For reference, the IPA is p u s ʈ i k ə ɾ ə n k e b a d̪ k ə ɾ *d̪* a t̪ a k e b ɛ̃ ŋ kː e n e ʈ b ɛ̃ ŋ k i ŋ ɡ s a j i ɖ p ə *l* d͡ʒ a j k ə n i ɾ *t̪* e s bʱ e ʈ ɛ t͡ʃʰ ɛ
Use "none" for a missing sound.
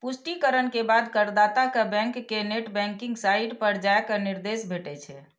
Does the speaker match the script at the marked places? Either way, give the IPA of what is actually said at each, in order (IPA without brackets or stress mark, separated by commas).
d̪, ɾ, d̪